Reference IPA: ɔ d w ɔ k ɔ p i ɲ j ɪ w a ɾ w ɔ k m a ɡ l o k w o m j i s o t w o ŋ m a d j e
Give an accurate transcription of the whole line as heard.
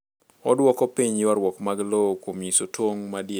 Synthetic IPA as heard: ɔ d w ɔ k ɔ p i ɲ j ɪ w a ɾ w ɔ k m a ɡ l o k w o m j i s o t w o ŋ m a d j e